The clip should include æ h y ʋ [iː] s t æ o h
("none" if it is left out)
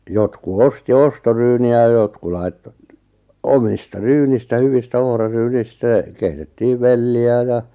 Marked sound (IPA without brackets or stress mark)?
i